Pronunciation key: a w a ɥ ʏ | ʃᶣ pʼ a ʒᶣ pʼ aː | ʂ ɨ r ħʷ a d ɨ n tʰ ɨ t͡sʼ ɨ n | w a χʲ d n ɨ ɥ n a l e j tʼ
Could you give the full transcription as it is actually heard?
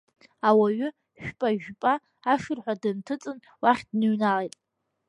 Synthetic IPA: a w a ɥ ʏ | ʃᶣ pʼ a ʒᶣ pʼ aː | ʂ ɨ r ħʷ a d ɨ n tʰ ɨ t͡sʼ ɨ n | w a χʲ d n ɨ ɥ n a l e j tʼ